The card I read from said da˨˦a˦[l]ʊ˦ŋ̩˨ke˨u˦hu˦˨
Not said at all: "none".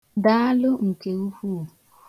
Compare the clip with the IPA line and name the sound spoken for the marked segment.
l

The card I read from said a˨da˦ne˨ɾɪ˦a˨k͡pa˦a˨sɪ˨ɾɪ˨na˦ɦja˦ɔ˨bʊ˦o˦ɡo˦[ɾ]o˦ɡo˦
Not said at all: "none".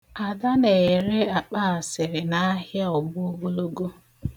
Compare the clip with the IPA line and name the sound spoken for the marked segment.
l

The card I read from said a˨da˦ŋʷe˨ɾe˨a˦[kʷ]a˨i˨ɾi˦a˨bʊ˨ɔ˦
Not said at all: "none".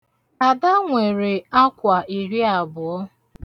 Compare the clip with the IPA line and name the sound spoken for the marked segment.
kʷ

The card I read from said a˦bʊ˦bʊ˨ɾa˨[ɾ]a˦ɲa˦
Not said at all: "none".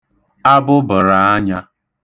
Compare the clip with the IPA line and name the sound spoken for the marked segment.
none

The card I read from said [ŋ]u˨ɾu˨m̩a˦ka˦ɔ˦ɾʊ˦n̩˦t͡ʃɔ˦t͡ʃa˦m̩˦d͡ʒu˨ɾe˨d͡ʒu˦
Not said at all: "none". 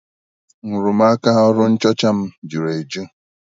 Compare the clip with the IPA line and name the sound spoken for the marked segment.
ŋ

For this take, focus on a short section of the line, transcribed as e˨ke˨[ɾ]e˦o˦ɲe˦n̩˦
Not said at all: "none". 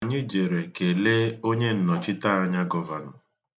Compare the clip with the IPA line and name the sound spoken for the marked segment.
l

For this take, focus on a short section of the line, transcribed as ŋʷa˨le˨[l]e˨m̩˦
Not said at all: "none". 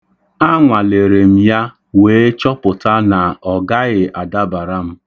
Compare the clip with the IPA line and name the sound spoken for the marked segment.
ɾ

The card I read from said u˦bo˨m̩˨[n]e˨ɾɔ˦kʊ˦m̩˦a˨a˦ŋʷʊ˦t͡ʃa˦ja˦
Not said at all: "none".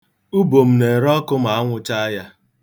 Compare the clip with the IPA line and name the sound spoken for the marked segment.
n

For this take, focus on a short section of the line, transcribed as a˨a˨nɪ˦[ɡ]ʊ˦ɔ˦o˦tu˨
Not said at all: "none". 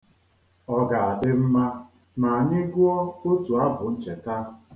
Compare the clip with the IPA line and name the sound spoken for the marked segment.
ɡ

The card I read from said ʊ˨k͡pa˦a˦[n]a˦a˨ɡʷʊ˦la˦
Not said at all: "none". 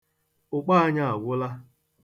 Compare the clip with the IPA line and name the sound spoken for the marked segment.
ɲ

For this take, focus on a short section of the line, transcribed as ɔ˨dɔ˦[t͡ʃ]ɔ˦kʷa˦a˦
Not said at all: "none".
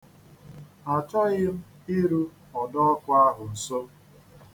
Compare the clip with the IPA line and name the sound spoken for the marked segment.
none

